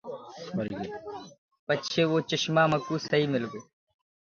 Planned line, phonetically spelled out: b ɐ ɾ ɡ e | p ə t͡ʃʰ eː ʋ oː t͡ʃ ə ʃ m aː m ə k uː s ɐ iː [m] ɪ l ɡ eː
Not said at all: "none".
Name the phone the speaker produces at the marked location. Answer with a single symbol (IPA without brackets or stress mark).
m